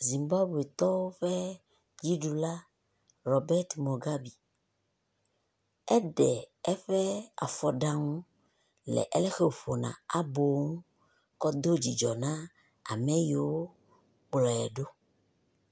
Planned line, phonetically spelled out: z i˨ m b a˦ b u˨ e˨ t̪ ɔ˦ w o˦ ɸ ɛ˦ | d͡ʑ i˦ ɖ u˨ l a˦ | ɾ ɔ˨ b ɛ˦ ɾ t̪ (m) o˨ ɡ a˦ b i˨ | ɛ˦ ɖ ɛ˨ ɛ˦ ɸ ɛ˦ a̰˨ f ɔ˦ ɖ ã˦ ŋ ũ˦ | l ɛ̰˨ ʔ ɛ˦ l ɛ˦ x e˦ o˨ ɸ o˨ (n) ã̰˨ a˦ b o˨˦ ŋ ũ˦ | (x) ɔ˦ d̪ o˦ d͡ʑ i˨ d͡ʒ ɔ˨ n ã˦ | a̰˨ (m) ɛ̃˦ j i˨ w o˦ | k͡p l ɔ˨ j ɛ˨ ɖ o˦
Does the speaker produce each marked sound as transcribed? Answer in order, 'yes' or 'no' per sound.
yes, yes, no, yes

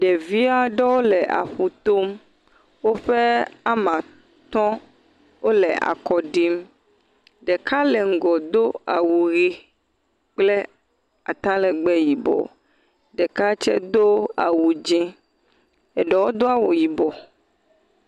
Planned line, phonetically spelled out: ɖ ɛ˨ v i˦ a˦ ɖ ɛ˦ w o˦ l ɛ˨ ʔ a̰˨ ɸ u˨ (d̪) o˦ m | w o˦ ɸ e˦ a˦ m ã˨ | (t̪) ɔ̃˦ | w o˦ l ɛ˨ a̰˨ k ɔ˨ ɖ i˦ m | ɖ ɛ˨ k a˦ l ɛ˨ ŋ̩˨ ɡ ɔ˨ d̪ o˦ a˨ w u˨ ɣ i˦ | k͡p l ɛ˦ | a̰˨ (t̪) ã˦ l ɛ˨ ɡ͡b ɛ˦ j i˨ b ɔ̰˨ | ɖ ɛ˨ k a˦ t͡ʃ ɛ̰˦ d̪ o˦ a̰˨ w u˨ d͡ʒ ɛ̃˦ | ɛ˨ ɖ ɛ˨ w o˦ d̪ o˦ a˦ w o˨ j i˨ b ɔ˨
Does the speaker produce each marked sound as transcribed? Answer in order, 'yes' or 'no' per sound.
no, yes, yes

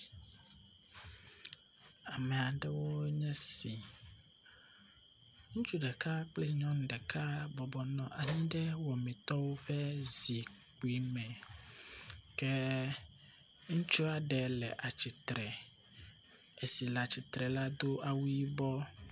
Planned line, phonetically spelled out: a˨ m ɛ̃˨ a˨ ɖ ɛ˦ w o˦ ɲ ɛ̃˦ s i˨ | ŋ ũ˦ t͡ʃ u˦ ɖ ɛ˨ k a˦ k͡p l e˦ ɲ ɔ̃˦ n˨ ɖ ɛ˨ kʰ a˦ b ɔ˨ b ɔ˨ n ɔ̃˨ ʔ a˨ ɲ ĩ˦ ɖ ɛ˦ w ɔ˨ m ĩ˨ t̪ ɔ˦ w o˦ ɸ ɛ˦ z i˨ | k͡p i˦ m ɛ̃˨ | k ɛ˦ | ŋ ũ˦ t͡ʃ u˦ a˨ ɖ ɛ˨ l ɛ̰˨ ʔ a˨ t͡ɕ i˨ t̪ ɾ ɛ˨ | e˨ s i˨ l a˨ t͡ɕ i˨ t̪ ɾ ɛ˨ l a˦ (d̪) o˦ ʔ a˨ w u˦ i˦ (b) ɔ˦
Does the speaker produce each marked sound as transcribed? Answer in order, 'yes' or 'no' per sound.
yes, yes

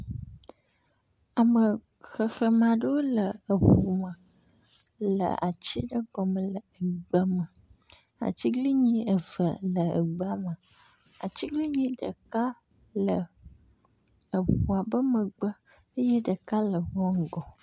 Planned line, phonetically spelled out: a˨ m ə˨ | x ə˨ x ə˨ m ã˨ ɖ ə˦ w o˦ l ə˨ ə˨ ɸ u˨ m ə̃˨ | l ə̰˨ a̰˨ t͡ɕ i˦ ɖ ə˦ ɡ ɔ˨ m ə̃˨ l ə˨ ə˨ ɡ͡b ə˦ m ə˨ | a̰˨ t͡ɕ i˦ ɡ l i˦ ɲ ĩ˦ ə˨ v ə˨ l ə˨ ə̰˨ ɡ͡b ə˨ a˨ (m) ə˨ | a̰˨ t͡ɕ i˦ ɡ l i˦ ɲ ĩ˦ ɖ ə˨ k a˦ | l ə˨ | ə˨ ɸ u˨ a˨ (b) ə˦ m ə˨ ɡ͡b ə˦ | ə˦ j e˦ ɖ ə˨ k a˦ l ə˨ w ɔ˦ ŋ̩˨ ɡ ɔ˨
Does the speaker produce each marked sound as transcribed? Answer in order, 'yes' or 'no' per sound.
yes, yes

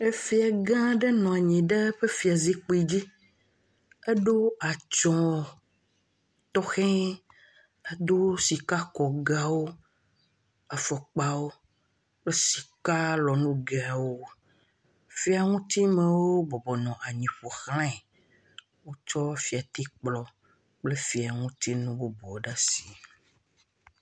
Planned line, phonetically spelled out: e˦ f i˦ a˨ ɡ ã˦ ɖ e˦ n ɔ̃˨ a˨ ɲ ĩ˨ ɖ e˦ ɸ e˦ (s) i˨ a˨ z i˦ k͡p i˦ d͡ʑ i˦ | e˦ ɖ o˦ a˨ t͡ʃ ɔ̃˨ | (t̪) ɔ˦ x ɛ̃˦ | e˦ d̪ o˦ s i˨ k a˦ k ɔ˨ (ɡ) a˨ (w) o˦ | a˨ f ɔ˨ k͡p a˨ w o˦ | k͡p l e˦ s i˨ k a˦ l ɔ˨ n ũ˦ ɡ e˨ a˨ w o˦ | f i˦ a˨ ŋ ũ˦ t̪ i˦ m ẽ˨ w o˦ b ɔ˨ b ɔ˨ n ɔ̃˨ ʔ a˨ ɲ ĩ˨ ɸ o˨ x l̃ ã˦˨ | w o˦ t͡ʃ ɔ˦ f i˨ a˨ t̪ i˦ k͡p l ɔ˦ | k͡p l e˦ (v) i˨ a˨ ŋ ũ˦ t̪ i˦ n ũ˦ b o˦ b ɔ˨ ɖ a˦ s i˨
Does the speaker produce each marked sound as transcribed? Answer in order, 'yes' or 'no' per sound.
no, yes, yes, yes, no

